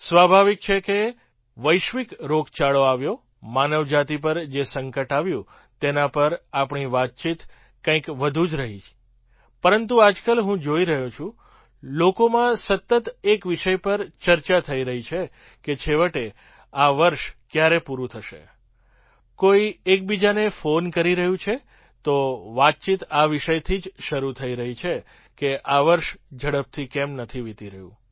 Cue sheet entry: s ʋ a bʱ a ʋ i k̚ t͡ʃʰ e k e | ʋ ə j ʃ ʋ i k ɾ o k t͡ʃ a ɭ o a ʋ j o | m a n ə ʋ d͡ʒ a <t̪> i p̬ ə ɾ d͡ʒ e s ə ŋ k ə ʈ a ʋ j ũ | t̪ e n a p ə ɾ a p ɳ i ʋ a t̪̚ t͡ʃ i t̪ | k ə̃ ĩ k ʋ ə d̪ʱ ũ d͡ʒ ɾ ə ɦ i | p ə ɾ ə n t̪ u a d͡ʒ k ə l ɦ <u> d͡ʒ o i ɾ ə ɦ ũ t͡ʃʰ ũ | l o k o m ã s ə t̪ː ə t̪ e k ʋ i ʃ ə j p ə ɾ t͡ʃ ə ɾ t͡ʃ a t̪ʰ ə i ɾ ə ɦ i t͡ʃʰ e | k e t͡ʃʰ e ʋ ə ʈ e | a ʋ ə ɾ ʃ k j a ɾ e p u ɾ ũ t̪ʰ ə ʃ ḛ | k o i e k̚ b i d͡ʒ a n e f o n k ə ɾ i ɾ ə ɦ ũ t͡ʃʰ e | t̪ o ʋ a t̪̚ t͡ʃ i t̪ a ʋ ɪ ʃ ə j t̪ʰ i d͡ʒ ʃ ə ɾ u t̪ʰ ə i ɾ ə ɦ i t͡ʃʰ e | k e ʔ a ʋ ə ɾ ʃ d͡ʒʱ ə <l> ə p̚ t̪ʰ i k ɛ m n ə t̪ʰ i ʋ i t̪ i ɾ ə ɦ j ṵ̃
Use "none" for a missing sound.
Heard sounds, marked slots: t̪, ũ, ɽ

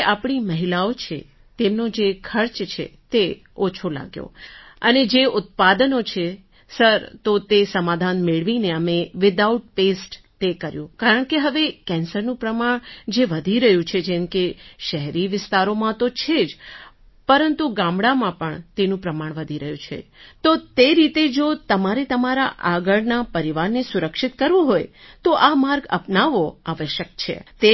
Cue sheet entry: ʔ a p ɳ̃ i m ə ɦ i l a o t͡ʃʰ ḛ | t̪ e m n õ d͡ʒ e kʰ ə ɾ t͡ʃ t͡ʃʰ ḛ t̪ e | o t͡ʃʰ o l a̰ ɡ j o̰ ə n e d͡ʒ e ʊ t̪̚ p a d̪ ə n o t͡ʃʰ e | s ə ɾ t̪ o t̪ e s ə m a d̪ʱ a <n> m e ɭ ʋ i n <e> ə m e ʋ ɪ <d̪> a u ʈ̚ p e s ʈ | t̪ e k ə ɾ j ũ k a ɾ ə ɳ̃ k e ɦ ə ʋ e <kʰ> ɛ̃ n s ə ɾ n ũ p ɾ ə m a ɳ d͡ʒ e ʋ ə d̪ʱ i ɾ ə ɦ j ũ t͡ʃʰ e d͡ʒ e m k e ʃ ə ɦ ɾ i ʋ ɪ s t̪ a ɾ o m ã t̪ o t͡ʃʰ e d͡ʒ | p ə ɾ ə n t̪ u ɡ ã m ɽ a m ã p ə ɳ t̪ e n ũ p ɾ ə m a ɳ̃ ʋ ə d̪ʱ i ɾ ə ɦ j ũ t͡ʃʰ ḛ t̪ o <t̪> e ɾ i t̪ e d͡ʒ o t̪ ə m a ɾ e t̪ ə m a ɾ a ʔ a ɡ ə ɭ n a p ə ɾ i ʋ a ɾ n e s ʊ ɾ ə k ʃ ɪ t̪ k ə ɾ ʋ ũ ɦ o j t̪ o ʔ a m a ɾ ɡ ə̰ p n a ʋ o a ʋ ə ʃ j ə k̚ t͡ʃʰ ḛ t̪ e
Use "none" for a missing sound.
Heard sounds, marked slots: n, e, d̪, k, t̪

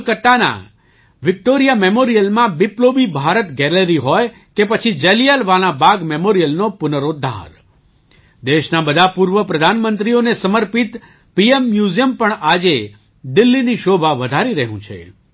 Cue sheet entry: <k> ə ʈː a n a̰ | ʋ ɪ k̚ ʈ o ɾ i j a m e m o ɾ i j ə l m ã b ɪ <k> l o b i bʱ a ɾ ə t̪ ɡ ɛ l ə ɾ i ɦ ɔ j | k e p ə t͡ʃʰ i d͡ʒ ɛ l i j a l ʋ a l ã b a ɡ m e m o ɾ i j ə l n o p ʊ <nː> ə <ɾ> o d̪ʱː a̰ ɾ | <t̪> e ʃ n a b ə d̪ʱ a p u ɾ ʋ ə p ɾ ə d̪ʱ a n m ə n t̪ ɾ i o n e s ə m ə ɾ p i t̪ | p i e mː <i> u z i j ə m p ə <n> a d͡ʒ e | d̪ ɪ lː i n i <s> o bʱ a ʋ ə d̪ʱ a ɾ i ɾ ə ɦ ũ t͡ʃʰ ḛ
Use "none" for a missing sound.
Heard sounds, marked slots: k, p, n, ɾ, d̪, j, ɳ, ʃ

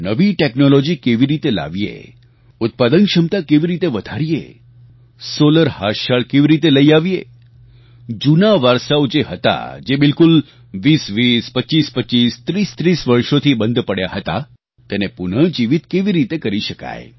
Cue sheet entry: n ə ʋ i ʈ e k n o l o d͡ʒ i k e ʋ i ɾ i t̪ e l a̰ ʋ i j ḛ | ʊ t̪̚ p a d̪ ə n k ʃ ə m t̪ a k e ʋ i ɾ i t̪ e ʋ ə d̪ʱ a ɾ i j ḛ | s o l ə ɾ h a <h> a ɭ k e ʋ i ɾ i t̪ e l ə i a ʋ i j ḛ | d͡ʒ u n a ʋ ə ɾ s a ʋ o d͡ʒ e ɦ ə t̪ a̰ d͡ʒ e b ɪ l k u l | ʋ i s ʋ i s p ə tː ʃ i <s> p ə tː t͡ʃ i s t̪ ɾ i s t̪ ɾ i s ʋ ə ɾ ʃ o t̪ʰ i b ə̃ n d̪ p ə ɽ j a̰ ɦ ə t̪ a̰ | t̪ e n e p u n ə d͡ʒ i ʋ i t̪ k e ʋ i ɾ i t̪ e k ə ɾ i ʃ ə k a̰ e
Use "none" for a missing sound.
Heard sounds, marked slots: ʃ, s

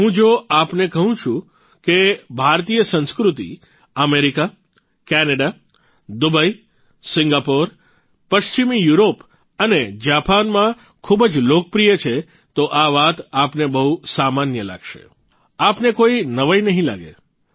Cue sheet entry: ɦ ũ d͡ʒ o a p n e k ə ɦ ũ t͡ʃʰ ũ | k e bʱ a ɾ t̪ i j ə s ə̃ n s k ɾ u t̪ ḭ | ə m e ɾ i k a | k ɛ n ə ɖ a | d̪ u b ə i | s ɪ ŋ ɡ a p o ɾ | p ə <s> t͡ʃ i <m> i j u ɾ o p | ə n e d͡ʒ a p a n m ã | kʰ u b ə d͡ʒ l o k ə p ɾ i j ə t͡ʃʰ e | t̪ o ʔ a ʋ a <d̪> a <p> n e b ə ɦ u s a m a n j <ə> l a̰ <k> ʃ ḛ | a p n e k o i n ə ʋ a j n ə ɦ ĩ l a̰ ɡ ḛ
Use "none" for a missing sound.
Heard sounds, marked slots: ʃ, m, t̪, p, ə, ɡ

